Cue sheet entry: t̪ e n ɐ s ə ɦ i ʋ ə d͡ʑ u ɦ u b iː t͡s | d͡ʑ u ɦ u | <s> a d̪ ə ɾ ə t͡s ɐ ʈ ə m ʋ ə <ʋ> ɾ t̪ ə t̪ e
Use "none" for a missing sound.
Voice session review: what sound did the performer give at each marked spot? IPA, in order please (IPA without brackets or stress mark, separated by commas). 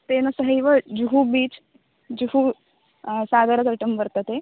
s, none